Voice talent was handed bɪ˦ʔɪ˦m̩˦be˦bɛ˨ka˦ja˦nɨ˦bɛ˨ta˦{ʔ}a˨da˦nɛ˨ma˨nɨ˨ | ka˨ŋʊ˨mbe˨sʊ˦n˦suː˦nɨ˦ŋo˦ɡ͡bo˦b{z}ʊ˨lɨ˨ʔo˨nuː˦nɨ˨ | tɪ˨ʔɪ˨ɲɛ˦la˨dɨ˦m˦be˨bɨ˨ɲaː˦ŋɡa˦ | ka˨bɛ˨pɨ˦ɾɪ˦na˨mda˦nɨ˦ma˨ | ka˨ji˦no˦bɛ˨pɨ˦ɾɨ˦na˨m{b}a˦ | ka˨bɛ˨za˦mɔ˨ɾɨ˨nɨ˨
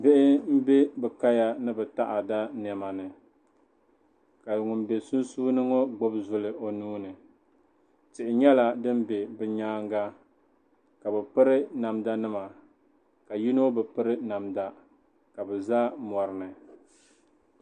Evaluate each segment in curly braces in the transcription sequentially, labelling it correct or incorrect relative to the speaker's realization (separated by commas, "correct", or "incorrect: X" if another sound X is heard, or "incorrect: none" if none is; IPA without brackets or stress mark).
correct, correct, incorrect: d